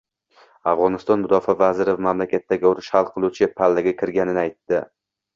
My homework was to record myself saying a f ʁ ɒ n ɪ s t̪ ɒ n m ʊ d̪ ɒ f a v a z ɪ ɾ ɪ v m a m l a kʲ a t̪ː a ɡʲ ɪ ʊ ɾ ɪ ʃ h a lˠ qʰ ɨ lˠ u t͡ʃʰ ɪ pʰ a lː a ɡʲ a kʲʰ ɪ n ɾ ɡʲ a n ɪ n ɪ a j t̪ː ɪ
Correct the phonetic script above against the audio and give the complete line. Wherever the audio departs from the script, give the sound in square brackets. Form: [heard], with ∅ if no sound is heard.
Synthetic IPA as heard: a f ʁ ɒ n ɪ s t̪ ɒ n m ʊ d̪ ɒ f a v a z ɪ ɾ ɪ v m a m l a kʲ a t̪ː a ɡʲ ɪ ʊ ɾ ɪ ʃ h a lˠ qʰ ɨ lˠ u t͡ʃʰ ɪ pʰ a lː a ɡʲ a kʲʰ ɪ [∅] ɾ ɡʲ a n ɪ n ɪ a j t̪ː ɪ